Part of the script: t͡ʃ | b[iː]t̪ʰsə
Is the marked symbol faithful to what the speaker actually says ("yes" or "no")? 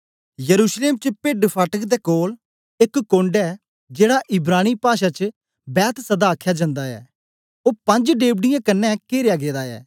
no